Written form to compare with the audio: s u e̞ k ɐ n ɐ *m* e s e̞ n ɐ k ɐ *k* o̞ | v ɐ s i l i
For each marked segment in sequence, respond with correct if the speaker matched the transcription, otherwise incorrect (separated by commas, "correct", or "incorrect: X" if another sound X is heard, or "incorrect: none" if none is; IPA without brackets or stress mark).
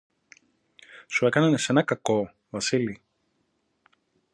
incorrect: n, correct